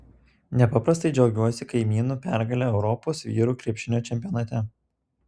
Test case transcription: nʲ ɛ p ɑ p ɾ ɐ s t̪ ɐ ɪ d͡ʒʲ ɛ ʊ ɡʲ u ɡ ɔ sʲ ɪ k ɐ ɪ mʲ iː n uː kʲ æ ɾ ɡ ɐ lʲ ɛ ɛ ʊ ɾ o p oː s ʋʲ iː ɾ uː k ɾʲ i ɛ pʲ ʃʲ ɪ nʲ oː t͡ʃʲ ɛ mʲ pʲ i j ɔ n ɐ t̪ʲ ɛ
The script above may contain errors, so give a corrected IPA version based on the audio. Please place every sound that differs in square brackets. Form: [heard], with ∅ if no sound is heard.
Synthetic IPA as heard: nʲ ɛ p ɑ p ɾ ɐ s t̪ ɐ ɪ d͡ʒʲ ɛ ʊ ɡʲ u [∅] ɔ sʲ ɪ k ɐ ɪ mʲ iː n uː [pʲ] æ ɾ ɡ ɐ lʲ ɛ ɛ ʊ ɾ [ɔ] p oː s ʋʲ iː ɾ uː k ɾʲ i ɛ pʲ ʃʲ ɪ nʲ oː t͡ʃʲ ɛ mʲ pʲ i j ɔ n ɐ t̪ʲ ɛ